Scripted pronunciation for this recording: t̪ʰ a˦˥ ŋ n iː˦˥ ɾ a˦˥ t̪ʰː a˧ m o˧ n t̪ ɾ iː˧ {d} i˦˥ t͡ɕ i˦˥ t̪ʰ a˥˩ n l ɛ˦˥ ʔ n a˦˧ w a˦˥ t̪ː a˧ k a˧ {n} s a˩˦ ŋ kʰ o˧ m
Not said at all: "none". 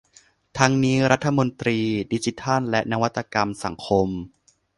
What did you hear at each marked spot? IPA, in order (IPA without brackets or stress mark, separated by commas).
d, m